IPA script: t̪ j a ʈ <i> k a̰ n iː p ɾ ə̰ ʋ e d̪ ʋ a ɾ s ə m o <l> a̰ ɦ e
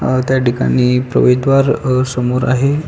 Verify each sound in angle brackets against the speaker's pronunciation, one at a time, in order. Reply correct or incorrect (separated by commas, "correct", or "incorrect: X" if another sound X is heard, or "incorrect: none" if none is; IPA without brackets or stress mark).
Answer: correct, incorrect: ɾ